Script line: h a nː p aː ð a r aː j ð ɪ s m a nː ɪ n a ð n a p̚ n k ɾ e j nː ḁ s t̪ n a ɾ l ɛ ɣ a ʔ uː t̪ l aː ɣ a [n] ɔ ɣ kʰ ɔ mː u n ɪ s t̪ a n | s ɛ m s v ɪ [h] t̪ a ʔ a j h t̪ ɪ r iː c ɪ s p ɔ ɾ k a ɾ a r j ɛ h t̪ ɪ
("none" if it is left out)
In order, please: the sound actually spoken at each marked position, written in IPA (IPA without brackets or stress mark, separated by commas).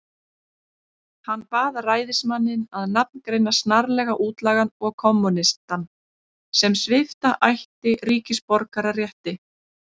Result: n, f